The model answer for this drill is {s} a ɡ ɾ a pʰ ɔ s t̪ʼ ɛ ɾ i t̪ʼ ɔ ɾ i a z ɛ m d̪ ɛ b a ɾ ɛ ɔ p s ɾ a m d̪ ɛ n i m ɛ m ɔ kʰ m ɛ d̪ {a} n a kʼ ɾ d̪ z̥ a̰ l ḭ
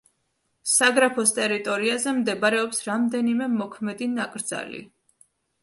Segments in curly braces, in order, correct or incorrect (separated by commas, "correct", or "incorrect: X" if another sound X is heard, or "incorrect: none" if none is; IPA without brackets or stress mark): correct, incorrect: i